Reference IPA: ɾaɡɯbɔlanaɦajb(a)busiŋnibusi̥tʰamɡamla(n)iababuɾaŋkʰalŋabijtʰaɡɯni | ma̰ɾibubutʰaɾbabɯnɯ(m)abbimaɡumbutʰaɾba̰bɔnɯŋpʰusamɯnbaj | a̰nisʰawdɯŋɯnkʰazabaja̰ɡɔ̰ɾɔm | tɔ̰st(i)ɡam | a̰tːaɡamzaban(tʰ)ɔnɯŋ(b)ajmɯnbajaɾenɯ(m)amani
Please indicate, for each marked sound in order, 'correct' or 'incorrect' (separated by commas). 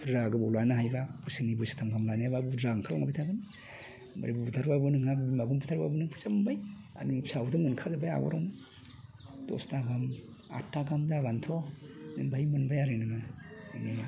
correct, correct, incorrect, incorrect, correct, correct, incorrect